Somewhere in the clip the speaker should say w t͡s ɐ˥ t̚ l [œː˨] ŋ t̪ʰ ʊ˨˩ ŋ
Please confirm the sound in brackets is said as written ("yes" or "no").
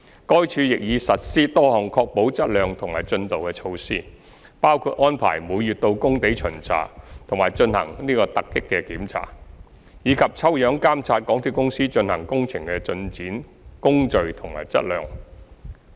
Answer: yes